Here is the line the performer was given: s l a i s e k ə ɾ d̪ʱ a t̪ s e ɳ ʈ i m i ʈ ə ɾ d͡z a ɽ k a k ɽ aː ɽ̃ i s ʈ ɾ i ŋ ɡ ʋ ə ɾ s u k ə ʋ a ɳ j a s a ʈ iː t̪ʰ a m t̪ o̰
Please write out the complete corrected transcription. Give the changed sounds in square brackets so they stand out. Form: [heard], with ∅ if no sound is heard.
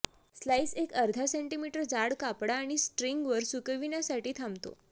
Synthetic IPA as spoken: s l a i s e k ə ɾ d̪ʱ a [∅] s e ɳ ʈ i m i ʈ ə ɾ d͡z a ɽ k a [p] ɽ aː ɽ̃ i s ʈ ɾ i ŋ ɡ ʋ ə ɾ s u k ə ʋ [i] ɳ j a s a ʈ iː t̪ʰ a m t̪ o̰